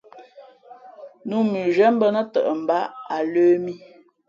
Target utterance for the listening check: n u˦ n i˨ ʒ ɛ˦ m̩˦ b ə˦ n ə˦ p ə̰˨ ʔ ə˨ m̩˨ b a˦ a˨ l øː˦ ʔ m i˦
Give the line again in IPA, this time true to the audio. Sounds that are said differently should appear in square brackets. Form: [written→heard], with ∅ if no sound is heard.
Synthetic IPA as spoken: n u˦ [n→m] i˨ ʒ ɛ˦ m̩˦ b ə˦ n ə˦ [p→t] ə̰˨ ʔ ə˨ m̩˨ b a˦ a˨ l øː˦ [ʔ→∅] m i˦

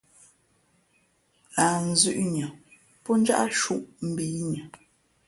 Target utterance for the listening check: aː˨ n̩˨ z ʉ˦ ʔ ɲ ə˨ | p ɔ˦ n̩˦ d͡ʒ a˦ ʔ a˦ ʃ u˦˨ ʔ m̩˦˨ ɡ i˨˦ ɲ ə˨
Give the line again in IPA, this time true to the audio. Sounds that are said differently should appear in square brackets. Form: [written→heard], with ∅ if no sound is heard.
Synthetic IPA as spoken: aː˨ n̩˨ z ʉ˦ ʔ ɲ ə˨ | p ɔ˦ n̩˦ d͡ʒ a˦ ʔ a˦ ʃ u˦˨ ʔ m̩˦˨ [ɡ→b] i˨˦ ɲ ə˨

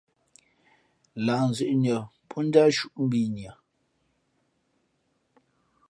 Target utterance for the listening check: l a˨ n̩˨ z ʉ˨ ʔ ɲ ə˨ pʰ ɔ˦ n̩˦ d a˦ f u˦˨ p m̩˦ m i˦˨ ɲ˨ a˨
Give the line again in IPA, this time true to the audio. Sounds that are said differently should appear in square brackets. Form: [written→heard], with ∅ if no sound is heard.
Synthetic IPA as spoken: l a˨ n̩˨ z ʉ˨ ʔ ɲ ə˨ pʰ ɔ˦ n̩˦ d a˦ [f→ʃ] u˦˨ [p→ʔ] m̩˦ [m→b] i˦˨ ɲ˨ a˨

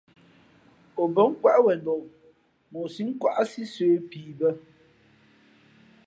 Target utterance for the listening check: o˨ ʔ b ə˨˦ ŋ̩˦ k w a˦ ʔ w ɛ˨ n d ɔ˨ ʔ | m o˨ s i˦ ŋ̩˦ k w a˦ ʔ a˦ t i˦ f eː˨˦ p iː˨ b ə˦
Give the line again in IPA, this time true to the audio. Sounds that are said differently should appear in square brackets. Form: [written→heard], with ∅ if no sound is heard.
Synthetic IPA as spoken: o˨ [ʔ→∅] b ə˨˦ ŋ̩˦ k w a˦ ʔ w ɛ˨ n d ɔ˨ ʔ | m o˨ s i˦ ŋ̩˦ k w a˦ ʔ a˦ [t→s] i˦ [f→s] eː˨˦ p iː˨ b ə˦

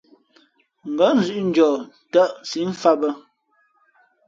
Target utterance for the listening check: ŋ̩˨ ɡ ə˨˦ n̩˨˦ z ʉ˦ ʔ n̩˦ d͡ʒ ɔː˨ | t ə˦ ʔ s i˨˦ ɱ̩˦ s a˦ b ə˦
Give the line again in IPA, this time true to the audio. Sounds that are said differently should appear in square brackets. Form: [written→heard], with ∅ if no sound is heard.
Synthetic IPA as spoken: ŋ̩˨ ɡ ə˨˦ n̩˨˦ z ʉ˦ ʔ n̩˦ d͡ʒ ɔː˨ | t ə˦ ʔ s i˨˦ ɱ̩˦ [s→f] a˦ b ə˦

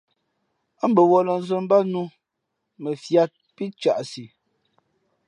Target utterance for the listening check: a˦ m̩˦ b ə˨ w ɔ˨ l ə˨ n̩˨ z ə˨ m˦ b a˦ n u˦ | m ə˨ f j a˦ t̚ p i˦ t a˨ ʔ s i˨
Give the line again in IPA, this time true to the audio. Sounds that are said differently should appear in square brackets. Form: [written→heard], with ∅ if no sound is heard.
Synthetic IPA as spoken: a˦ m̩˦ b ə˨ w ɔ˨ l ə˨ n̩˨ z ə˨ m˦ b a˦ n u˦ | m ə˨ f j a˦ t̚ p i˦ [t→t͡ʃ] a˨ ʔ s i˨

